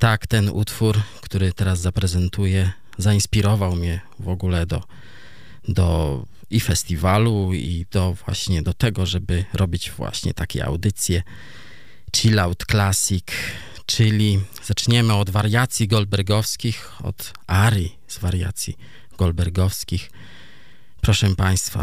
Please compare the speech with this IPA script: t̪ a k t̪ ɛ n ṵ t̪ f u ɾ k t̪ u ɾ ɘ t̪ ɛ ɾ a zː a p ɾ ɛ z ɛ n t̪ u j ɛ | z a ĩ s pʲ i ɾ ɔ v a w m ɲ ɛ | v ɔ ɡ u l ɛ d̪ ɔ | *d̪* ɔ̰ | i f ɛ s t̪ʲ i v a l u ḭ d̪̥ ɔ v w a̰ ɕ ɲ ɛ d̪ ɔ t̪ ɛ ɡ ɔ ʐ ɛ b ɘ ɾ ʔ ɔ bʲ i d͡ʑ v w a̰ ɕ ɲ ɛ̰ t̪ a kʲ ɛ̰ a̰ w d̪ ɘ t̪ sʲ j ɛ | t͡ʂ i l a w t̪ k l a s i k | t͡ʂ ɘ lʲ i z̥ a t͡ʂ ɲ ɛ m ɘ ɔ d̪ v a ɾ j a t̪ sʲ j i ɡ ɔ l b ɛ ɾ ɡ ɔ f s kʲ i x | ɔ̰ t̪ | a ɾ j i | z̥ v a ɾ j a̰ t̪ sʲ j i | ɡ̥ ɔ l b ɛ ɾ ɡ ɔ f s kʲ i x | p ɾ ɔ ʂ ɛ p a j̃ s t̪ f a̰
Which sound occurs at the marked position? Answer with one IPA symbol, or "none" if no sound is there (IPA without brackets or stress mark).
d̪